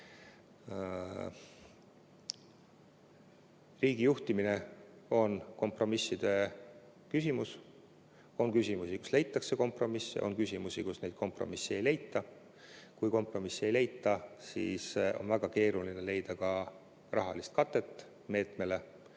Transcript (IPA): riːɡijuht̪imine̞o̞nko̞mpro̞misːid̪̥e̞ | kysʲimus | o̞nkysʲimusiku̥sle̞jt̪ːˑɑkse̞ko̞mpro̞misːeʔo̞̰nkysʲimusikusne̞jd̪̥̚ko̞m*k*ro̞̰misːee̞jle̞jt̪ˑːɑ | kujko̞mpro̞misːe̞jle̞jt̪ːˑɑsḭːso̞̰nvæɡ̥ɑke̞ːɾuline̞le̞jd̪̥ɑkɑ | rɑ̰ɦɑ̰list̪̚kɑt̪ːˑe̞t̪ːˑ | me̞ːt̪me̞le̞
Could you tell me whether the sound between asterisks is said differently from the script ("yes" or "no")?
yes